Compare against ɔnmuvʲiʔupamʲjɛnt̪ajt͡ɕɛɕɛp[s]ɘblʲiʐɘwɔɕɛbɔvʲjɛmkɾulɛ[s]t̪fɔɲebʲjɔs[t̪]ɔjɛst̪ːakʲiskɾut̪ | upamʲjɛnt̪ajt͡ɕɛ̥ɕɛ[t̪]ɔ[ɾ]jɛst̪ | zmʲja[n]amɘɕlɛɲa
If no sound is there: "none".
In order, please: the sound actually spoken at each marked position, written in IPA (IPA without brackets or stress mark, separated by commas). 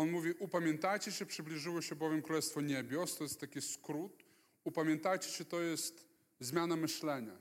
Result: ʂ, s, t̪, t̪, none, n